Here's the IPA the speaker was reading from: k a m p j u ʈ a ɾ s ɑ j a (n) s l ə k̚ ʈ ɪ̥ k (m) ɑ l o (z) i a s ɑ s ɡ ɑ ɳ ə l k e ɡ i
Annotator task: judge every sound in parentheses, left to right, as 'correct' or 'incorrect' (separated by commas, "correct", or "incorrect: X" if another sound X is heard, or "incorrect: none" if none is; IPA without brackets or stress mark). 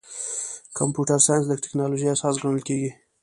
correct, incorrect: n, incorrect: ʒ